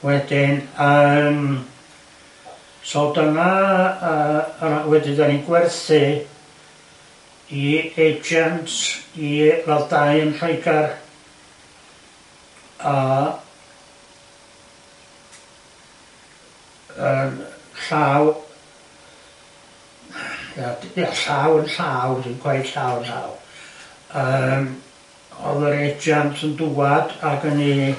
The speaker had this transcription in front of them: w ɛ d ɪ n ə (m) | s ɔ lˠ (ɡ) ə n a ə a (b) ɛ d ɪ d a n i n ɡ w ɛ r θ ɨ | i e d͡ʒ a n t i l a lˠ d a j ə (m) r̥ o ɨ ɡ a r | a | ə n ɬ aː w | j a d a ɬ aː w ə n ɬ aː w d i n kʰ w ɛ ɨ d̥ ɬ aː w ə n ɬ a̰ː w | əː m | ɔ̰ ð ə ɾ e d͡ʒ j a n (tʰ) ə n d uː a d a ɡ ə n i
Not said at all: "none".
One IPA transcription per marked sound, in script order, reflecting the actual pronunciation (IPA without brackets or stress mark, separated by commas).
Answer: m, d, w, n, tʰ